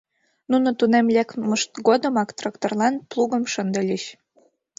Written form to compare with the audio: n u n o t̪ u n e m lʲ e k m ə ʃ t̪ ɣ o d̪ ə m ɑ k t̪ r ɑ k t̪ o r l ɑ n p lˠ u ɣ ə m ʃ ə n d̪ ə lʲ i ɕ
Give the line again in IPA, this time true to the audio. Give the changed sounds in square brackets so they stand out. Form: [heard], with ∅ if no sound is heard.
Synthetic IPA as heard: n u n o t̪ u n e m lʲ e k m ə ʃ t̪ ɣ o d̪ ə m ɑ k t̪ r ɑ k t̪ o r l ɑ n p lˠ u ɣ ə m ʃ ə n d̪ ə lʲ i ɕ